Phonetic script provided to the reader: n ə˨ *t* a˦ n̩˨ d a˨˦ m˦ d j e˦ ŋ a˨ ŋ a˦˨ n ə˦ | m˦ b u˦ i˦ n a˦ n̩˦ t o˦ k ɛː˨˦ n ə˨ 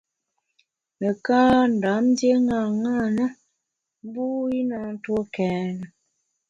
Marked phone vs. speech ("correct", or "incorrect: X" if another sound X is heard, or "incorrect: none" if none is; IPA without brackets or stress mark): incorrect: k